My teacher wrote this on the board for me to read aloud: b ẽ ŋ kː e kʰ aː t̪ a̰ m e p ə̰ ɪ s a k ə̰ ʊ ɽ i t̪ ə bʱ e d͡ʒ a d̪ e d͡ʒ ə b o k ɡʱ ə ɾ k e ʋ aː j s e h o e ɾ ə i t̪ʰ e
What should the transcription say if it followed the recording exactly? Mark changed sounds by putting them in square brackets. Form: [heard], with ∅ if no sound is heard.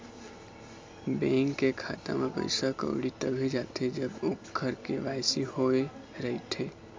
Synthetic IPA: b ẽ ŋ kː e kʰ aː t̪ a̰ m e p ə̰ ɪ s a k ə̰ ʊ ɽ i t̪ ə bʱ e d͡ʒ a [t̪] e d͡ʒ ə b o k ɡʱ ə ɾ k e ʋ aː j s [i] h o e ɾ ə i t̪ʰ e